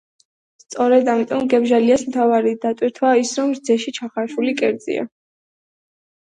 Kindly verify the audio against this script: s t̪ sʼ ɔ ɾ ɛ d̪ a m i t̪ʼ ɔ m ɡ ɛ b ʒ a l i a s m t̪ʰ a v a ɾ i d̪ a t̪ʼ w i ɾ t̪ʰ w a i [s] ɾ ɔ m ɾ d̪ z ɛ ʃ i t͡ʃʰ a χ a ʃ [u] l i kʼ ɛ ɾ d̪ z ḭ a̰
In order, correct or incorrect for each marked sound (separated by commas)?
correct, correct